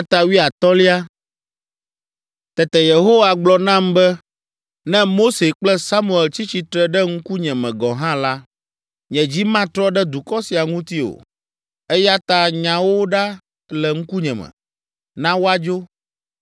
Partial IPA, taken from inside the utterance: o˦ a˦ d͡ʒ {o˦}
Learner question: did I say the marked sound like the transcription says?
yes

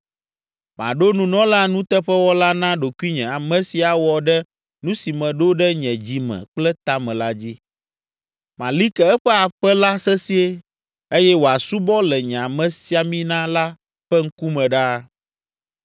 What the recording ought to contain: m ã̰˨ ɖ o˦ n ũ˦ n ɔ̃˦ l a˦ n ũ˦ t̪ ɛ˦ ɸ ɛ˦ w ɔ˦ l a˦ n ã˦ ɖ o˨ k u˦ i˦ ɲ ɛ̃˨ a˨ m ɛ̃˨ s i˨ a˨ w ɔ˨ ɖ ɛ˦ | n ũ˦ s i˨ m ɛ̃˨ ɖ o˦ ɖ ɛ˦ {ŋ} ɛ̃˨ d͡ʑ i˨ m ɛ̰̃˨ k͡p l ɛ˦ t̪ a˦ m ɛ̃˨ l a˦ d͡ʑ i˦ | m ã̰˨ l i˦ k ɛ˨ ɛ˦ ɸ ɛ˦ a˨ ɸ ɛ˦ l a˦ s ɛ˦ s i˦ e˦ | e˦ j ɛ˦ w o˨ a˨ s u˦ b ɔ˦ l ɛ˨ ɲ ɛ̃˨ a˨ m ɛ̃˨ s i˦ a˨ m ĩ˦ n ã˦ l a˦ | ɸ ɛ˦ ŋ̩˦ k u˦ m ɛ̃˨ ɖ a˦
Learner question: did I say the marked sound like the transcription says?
no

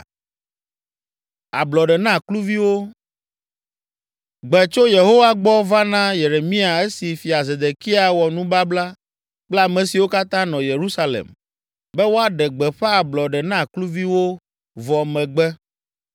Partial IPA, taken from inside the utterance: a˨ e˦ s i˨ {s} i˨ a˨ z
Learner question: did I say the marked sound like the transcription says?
no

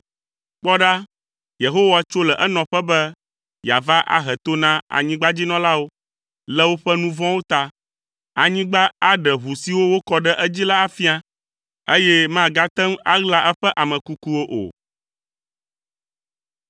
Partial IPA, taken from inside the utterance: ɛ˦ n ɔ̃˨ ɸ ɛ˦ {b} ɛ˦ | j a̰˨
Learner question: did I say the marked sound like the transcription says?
yes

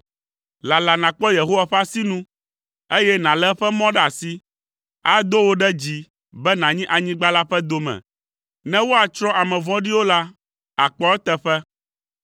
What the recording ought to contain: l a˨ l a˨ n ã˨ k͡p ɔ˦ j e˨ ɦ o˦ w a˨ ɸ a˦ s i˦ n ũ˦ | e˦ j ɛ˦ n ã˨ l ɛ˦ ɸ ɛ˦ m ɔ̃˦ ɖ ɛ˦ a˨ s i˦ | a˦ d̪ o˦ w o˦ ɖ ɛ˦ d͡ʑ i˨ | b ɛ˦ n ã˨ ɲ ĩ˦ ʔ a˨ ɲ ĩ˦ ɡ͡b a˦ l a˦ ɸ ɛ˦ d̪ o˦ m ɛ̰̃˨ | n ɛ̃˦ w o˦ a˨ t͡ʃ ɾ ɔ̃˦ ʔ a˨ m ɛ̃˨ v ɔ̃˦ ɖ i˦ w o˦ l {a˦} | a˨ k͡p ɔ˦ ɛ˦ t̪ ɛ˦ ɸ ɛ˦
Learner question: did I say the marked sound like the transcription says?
yes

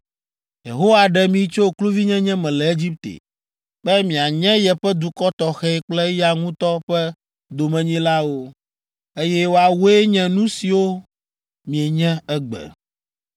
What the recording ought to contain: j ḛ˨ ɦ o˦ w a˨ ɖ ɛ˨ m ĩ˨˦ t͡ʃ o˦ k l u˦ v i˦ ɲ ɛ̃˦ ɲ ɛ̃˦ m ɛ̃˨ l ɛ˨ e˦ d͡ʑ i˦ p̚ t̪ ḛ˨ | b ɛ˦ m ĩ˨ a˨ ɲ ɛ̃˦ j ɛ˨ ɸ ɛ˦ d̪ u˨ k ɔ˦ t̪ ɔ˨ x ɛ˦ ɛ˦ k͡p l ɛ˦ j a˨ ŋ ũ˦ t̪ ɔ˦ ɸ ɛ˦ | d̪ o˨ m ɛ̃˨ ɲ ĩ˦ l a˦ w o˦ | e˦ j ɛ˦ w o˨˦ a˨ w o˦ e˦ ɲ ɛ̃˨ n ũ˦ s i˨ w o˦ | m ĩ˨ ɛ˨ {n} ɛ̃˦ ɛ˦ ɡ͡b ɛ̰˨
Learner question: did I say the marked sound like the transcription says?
no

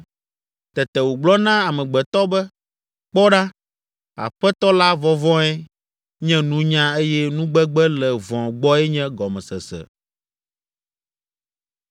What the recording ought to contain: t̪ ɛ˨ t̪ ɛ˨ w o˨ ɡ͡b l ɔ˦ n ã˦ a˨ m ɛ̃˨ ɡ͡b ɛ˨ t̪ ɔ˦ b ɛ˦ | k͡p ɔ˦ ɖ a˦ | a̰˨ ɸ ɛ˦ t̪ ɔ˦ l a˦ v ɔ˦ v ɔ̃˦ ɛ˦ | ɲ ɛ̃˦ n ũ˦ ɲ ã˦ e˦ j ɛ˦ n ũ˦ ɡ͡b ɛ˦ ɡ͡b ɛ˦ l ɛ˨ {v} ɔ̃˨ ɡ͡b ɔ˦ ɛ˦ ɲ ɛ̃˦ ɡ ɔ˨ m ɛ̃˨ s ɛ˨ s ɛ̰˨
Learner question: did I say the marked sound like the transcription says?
yes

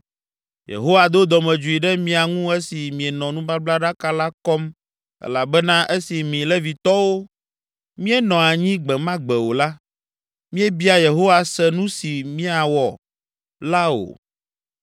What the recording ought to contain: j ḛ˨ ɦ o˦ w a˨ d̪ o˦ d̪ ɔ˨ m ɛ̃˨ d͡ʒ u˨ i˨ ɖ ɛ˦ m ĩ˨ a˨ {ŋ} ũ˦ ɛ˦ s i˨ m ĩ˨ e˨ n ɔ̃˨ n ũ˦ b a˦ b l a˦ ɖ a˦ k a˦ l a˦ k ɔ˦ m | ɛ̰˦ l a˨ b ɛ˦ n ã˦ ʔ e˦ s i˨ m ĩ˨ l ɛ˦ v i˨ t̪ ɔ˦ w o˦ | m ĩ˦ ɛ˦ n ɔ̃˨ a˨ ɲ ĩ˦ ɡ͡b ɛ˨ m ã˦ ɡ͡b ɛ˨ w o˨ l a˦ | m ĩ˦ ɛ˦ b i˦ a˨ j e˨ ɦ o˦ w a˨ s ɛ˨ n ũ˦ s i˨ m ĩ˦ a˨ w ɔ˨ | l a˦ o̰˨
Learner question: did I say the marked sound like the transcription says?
yes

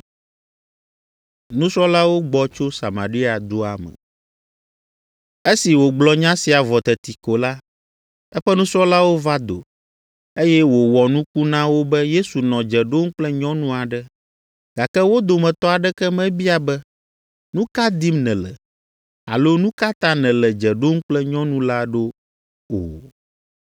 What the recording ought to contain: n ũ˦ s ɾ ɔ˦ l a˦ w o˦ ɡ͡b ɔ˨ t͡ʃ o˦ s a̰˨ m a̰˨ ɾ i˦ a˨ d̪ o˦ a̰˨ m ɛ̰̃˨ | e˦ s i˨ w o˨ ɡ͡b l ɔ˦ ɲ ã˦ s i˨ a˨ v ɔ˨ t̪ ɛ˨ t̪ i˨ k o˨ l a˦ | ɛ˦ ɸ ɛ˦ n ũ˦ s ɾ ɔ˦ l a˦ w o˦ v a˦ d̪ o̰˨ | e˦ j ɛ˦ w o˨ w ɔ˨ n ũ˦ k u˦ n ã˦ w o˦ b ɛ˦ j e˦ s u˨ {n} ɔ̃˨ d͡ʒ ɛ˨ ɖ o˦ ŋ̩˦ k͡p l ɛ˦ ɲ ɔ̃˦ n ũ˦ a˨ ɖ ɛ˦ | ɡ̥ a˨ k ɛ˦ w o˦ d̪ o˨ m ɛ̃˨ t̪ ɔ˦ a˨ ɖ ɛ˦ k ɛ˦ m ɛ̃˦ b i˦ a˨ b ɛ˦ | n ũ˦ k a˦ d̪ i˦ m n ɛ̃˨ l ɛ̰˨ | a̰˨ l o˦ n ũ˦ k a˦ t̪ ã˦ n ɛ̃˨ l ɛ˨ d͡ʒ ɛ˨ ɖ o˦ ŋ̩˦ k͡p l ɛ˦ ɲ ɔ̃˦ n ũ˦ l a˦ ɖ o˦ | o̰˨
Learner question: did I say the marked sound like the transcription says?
yes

